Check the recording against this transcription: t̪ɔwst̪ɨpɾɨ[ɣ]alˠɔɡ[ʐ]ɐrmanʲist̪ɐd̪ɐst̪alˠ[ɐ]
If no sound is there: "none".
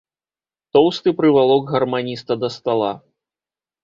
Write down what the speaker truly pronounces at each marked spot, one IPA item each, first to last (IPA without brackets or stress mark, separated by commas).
v, ɣ, a